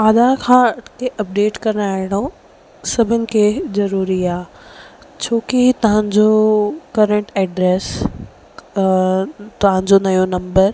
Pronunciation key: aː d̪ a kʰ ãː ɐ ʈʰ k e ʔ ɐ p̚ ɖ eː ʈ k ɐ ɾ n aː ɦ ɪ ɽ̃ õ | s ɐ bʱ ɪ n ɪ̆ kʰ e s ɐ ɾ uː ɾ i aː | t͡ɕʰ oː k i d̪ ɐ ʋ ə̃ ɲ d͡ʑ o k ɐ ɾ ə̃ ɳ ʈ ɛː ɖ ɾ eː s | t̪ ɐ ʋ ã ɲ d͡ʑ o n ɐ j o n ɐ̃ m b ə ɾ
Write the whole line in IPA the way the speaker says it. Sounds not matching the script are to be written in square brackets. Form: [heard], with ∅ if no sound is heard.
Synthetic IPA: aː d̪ a kʰ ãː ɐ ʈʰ k e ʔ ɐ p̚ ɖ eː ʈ k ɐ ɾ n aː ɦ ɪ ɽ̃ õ | s ɐ bʱ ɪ n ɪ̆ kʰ e [z] ɐ ɾ uː ɾ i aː | t͡ɕʰ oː k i [t̪] ɐ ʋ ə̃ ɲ d͡ʑ o k ɐ ɾ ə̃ ɳ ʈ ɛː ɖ ɾ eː s | t̪ ɐ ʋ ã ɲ d͡ʑ o n ɐ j o n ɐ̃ m b ə ɾ

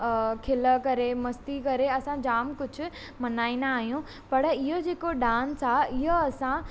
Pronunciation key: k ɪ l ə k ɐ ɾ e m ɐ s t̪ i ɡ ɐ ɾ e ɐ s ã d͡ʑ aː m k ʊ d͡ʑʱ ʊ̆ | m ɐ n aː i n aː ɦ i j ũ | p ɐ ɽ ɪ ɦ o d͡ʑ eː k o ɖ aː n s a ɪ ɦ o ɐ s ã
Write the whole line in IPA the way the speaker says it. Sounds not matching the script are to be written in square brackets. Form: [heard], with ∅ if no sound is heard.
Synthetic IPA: [kʰ] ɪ l ə k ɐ ɾ e m ɐ s t̪ i [k] ɐ ɾ e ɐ s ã d͡ʑ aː m k ʊ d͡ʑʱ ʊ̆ | m ɐ n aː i n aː ɦ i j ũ | p ɐ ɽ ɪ ɦ o d͡ʑ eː k o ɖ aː n s a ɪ ɦ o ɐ s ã

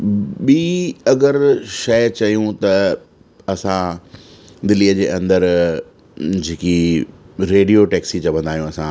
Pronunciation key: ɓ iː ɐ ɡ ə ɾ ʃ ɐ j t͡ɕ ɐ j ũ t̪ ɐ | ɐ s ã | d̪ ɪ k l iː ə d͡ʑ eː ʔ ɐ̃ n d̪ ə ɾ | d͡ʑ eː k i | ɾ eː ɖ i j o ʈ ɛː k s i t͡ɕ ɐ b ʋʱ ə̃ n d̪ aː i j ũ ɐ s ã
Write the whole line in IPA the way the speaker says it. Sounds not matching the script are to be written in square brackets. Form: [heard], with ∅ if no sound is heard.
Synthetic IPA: ɓ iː ɐ ɡ ə ɾ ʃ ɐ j t͡ɕ ɐ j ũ t̪ ɐ | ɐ s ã | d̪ ɪ [∅] l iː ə d͡ʑ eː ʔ ɐ̃ n d̪ ə ɾ | d͡ʑ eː k i | ɾ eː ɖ i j o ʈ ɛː k s i t͡ɕ ɐ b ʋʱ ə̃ n d̪ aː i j ũ ɐ s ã

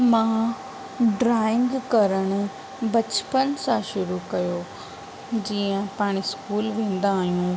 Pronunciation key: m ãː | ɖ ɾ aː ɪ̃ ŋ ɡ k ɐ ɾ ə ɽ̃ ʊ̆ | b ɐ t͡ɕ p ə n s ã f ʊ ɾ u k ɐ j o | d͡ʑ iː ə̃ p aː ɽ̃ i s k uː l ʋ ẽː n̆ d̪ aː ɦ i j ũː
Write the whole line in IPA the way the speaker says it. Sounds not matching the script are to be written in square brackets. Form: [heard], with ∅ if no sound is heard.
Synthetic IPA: m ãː | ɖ ɾ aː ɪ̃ ŋ ɡ k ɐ ɾ ə ɽ̃ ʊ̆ | b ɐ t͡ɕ p ə n s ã [ʃ] ʊ ɾ u k ɐ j o | d͡ʑ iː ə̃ p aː ɽ̃ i s k uː l ʋ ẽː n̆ d̪ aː ɦ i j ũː

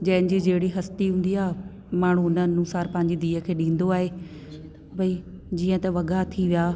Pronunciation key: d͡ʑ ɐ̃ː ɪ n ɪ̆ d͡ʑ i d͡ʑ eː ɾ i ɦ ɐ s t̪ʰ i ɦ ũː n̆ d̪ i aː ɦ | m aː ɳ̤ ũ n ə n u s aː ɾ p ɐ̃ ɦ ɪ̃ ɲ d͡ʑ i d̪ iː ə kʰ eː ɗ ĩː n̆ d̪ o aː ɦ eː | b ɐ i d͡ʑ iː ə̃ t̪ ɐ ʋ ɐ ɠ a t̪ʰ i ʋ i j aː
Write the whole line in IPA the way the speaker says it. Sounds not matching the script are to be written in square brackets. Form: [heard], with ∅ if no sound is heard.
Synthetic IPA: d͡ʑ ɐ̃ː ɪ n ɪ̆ d͡ʑ i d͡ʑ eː [ɽ] i ɦ ɐ s [t̪] i ɦ ũː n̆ d̪ i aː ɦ | m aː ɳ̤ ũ n ə n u s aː ɾ p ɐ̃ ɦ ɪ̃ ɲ d͡ʑ i d̪ iː ə kʰ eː ɗ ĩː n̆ d̪ o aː ɦ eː | b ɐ i d͡ʑ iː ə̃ t̪ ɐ ʋ ɐ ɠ a t̪ʰ i ʋ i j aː

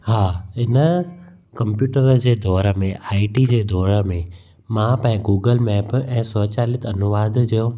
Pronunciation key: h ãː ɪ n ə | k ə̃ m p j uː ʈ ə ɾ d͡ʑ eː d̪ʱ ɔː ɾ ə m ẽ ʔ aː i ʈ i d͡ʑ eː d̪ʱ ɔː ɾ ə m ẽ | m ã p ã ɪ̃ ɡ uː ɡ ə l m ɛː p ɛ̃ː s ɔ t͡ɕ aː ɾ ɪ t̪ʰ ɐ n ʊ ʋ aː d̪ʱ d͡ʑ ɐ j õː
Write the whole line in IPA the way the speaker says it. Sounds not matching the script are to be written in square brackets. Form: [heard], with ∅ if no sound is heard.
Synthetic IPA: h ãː ɪ n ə | k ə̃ m p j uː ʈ ə ɾ d͡ʑ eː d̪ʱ ɔː ɾ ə m ẽ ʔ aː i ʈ i d͡ʑ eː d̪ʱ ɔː ɾ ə m ẽ | m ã p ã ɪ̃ ɡ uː ɡ ə l m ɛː p ɛ̃ː s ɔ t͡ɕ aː [l] ɪ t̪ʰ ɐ n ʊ ʋ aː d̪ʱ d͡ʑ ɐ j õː

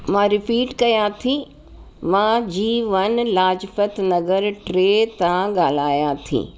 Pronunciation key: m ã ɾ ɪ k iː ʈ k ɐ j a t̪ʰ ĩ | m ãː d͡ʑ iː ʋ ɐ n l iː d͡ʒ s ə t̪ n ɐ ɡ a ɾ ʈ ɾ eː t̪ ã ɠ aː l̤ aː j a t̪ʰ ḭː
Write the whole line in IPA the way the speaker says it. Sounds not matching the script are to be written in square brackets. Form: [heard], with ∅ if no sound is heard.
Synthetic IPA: m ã ɾ ɪ [p] iː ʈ k ɐ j a t̪ʰ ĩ | m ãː d͡ʑ iː ʋ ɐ n l [aː] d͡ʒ [f] ə t̪ n ɐ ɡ [ə] ɾ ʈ ɾ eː t̪ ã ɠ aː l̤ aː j a t̪ʰ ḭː

